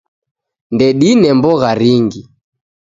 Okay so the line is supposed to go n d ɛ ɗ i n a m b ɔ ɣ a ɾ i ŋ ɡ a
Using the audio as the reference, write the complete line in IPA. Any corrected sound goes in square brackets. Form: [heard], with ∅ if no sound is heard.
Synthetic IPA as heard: n d ɛ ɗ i n [ɛ] m b ɔ ɣ a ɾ i ŋ ɡ [i]